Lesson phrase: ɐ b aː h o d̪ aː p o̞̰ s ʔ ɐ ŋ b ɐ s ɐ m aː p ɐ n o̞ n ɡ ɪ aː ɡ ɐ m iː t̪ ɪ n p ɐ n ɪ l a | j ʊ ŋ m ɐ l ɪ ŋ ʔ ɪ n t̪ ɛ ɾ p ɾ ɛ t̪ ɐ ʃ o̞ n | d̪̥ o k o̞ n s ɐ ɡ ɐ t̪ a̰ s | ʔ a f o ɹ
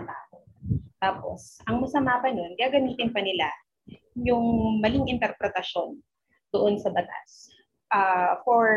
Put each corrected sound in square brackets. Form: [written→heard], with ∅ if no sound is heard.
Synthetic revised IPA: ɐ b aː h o [d̪→t̪] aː p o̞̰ s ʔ ɐ ŋ [b→m] ɐ s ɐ m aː p ɐ n o̞ n ɡ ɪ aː ɡ ɐ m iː t̪ ɪ n p ɐ n ɪ l a | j ʊ ŋ m ɐ l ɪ ŋ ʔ ɪ n t̪ ɛ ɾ p ɾ ɛ t̪ ɐ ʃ o̞ n | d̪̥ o [k→ʔ] o̞ n s ɐ [ɡ→b] ɐ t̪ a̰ s | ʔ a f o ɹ